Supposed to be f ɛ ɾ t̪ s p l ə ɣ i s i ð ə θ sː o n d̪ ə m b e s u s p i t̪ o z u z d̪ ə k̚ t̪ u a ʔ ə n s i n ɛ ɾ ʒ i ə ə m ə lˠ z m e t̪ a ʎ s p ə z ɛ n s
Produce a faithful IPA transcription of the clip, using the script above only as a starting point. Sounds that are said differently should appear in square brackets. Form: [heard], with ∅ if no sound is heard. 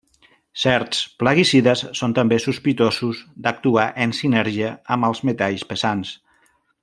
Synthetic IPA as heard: [s] ɛ ɾ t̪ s p l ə ɣ i s i ð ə [s] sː o n [t̪] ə m b e s u s p i t̪ o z u z d̪ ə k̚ t̪ u a ʔ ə n s i n ɛ ɾ ʒ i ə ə m ə lˠ z m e t̪ a ʎ s p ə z [a] n s